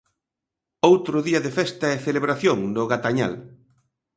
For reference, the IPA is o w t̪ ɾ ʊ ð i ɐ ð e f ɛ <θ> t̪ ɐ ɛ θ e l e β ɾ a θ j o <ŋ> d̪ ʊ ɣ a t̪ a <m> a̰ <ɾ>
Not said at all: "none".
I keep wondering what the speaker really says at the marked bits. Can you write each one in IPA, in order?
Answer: s, ŋ, ɲ, l

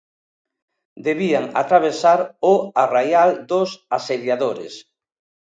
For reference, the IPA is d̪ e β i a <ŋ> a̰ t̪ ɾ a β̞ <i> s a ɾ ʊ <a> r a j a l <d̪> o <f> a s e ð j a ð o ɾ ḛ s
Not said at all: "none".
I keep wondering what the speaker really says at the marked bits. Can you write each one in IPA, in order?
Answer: ŋ, e, a, d̪, s

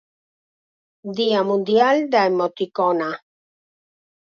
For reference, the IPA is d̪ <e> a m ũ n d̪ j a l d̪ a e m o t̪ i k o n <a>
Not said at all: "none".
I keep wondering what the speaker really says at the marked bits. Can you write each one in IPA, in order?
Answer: i, a

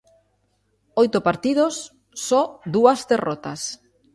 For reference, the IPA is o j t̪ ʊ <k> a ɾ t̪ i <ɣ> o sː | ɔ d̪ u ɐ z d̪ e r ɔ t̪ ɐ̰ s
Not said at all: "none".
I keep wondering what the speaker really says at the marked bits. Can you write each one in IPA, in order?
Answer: p, ð

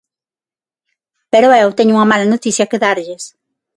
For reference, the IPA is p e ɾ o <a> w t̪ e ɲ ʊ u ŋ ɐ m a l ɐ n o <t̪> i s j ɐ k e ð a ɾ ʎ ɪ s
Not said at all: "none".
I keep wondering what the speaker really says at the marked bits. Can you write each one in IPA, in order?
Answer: e, t̪

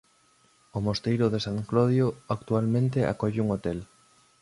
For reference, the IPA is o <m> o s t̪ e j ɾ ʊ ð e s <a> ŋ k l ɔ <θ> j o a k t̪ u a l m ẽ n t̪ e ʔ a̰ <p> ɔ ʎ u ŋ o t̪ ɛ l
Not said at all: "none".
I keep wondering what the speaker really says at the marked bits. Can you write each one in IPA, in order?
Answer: m, a, ð, k

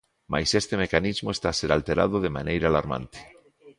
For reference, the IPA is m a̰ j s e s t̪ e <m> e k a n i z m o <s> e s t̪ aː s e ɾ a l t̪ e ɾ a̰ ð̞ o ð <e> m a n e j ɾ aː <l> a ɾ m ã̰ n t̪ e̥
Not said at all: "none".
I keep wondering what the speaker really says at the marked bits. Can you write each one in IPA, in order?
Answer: m, none, e, l

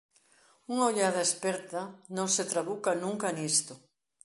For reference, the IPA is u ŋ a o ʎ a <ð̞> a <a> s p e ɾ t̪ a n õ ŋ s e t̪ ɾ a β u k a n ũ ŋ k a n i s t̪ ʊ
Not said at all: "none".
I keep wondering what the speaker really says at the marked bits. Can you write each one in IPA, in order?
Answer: ð̞, e

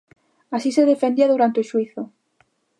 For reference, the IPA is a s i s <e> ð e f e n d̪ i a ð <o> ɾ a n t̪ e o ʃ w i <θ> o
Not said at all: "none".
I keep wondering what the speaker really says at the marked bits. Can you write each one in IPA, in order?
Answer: e, u, θ

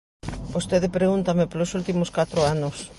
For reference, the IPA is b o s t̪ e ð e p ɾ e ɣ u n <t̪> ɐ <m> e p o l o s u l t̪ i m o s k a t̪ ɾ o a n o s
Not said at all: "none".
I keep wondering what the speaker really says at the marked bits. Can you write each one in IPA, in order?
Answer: t̪, m

